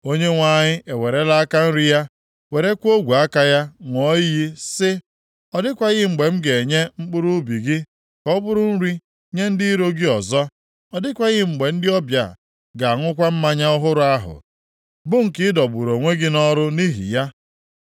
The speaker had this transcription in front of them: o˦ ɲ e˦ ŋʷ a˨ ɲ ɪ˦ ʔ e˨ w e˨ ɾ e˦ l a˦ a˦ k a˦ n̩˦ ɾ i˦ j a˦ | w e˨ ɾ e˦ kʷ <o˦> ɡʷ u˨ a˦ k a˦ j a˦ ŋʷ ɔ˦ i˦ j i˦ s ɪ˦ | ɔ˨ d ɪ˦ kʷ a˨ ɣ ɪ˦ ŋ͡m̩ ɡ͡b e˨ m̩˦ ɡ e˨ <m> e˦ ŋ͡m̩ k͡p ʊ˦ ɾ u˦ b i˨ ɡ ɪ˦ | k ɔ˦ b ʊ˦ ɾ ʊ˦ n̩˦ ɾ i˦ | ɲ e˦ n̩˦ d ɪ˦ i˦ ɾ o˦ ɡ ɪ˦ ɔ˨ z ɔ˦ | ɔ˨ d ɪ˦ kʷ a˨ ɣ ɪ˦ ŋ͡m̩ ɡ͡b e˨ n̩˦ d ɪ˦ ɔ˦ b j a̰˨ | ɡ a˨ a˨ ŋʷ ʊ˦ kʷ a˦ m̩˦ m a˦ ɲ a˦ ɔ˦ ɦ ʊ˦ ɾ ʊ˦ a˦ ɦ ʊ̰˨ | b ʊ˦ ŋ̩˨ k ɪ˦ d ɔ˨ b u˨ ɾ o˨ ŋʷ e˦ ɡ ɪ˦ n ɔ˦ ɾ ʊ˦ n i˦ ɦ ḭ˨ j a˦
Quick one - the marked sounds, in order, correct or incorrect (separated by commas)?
correct, incorrect